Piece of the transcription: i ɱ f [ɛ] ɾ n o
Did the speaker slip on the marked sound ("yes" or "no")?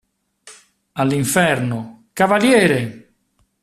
no